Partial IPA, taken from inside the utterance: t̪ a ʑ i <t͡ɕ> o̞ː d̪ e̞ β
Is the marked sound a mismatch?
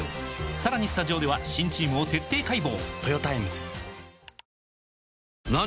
yes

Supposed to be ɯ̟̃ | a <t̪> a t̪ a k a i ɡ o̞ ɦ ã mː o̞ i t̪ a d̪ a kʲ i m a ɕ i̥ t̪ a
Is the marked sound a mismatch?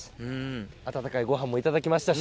no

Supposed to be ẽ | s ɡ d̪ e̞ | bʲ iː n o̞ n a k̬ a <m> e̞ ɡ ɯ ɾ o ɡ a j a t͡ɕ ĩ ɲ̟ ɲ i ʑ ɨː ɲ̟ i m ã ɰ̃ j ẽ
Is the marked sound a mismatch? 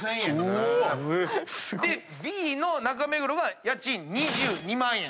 no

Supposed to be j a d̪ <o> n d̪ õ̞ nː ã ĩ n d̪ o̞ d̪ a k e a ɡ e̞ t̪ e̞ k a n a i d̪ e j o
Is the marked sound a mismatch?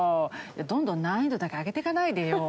yes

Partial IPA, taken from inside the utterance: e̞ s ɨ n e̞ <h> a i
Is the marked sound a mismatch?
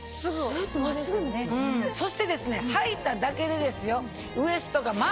no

